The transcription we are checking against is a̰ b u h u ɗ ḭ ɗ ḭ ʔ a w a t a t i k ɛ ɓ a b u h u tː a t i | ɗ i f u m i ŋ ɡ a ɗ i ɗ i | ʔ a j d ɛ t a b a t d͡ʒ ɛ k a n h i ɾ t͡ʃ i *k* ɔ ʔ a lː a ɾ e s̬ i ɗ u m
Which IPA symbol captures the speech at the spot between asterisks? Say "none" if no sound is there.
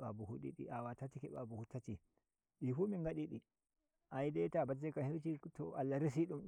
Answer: t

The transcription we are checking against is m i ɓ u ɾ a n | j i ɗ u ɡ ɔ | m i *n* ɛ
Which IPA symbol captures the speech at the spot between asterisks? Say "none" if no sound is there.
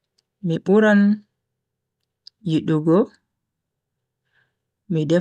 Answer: d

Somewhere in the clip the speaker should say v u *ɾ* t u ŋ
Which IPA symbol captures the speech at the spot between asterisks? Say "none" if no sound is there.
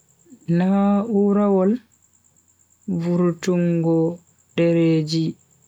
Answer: ɾ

